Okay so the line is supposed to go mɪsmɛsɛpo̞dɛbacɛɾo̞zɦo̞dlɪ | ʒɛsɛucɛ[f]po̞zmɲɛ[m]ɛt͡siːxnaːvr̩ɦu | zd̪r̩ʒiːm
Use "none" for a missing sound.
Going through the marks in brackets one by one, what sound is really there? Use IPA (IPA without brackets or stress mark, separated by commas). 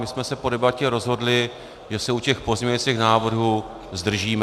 x, ɲ